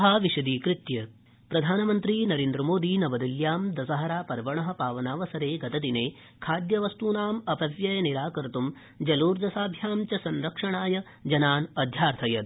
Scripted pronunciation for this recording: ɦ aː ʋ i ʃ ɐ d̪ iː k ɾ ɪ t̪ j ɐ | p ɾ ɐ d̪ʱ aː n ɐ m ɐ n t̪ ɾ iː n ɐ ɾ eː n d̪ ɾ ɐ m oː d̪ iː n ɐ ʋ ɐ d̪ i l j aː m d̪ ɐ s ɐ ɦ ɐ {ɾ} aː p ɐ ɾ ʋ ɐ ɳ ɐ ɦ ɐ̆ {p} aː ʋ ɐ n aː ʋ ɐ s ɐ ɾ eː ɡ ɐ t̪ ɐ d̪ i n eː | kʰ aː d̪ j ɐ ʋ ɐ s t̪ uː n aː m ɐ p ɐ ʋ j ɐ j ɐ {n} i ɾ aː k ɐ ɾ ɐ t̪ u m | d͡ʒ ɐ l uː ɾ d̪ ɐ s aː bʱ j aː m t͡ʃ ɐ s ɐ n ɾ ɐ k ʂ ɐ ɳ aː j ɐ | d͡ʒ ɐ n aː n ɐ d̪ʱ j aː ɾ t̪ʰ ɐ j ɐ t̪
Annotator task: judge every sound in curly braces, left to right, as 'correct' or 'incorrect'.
correct, correct, correct

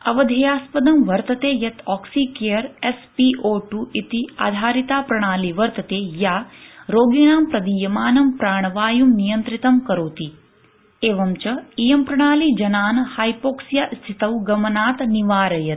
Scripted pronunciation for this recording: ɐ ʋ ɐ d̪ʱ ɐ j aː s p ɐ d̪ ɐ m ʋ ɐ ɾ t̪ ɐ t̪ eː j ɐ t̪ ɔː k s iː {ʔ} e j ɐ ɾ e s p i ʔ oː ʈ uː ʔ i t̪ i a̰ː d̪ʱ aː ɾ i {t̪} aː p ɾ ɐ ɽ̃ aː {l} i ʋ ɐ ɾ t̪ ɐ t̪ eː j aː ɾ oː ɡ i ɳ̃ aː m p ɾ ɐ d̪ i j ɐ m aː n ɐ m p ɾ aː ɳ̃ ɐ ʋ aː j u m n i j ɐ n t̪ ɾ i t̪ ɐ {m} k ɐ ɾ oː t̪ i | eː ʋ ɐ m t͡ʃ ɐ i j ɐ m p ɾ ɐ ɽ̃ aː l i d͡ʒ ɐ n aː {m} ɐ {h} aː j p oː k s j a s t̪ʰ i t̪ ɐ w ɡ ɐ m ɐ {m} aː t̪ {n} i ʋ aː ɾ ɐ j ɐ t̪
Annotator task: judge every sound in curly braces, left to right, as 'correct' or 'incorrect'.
incorrect: k, correct, correct, correct, incorrect: n, correct, incorrect: n, correct

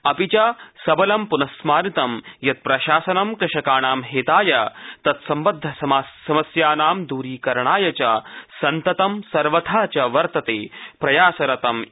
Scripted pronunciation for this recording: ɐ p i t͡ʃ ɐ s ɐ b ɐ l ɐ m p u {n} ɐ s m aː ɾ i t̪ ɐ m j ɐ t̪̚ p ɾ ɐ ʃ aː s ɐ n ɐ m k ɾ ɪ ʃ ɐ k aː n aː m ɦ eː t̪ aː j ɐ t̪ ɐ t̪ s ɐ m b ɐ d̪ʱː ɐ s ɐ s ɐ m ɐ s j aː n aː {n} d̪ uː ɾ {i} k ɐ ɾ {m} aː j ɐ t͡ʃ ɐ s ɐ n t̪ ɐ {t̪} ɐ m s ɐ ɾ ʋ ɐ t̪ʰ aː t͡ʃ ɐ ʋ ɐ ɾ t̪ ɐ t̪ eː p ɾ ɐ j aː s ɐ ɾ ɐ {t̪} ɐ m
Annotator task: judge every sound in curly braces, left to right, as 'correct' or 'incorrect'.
correct, incorrect: m, incorrect: iː, incorrect: ɳ, correct, correct

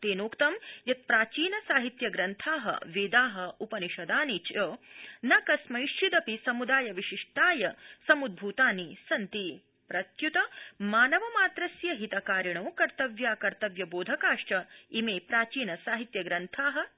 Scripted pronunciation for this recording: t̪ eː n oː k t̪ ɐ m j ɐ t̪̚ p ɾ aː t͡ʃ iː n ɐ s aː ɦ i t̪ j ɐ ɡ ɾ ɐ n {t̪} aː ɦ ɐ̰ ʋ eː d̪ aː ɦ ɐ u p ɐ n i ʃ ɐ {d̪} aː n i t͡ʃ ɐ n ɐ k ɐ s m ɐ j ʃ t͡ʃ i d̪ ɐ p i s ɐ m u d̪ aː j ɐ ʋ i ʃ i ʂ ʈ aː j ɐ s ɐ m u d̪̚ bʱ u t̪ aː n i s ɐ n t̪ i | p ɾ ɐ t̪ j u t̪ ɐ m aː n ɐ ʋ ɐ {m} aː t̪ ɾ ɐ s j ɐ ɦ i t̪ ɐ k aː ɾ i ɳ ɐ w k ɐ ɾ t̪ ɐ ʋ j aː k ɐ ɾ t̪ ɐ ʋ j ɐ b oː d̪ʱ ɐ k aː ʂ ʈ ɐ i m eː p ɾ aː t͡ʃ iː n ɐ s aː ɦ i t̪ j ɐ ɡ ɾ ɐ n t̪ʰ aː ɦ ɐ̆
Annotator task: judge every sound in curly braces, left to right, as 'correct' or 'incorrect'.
incorrect: t̪ʰ, correct, correct

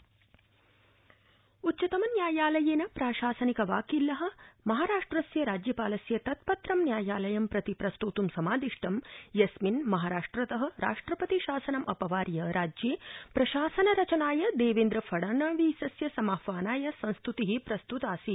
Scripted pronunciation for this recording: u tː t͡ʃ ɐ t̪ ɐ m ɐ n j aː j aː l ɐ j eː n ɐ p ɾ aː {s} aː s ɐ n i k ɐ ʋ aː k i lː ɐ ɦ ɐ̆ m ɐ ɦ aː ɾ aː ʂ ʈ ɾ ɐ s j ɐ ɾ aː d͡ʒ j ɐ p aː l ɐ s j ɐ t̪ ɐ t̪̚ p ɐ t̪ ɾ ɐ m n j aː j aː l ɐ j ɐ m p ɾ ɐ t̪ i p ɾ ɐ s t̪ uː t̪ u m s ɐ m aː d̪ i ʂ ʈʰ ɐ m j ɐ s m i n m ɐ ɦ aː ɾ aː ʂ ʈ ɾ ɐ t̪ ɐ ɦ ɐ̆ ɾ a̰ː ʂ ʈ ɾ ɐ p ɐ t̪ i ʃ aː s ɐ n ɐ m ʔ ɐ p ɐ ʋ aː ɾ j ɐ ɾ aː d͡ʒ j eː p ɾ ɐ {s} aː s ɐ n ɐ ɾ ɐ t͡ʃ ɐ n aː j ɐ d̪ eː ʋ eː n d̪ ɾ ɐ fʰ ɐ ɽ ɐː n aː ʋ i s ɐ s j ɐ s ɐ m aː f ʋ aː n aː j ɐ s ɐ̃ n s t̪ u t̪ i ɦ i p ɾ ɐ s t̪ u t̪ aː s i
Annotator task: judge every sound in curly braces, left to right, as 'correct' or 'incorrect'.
incorrect: ʃ, incorrect: ʃ

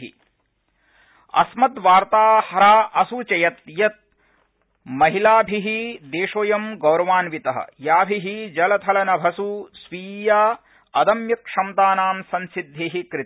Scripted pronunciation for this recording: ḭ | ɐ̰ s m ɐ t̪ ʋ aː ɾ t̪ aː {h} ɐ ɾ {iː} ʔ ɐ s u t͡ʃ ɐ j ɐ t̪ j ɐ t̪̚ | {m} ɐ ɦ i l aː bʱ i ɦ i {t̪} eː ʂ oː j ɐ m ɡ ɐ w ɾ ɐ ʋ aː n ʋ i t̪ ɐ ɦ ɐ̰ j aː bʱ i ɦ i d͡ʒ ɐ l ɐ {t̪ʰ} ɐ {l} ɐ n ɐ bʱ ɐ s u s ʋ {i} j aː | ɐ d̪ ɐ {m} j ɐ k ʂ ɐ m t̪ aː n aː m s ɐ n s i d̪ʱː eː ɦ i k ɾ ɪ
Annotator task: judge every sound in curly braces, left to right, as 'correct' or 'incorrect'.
correct, incorrect: aː, correct, incorrect: d̪, correct, correct, incorrect: iː, correct

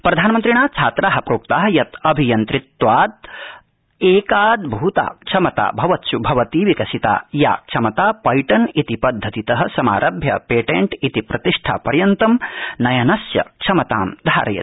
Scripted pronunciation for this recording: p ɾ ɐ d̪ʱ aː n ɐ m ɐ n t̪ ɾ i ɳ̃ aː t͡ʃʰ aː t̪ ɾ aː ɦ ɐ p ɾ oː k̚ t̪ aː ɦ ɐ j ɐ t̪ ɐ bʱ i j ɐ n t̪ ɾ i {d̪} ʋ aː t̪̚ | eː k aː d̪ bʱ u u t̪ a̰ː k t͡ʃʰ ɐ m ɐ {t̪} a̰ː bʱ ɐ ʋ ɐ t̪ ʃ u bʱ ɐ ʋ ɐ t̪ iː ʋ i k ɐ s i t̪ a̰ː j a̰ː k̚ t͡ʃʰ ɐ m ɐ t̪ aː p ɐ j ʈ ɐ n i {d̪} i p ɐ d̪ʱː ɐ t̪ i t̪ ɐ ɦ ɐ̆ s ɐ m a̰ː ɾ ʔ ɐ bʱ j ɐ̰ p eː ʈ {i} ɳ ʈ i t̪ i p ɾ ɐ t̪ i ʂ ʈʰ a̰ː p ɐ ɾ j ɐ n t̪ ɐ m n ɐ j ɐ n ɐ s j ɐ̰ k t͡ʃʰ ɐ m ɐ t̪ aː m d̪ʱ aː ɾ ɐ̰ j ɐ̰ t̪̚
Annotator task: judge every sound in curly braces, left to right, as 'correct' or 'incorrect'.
incorrect: t̪, correct, incorrect: t̪, incorrect: e

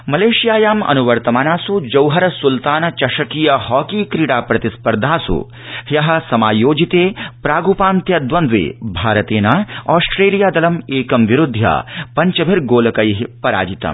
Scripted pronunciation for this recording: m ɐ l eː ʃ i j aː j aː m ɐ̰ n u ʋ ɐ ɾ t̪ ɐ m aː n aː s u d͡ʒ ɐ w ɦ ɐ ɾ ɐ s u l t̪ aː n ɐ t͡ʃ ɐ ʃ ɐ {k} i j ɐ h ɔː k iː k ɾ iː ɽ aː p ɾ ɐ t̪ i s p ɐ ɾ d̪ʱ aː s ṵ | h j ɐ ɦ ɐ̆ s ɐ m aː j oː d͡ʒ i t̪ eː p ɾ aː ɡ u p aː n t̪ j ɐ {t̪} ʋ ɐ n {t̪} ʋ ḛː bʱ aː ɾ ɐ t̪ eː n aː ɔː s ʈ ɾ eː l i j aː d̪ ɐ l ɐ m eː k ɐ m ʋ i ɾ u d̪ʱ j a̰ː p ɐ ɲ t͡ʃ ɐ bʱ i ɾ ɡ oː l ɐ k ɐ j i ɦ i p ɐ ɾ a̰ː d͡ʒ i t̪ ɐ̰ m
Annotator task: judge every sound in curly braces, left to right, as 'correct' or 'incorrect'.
correct, incorrect: d̪, incorrect: d̪

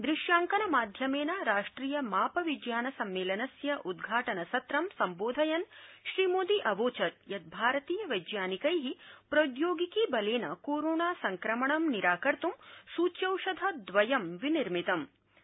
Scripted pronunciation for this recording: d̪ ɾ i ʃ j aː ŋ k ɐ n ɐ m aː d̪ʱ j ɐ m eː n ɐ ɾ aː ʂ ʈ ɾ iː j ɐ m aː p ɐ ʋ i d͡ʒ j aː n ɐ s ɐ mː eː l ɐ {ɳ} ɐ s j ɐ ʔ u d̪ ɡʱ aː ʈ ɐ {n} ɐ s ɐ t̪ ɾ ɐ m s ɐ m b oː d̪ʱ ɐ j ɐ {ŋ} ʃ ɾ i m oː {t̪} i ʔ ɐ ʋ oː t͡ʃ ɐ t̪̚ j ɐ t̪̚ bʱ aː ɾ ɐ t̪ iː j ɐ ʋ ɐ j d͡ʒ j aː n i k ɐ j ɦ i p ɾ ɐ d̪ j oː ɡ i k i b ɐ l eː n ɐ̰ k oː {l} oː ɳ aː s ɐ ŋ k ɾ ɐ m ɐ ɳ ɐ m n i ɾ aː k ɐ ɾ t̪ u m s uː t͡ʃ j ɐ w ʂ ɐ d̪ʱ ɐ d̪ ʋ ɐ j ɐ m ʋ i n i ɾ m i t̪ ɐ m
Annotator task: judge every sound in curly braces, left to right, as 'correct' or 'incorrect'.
incorrect: n, correct, incorrect: n, incorrect: d̪, incorrect: ɾ

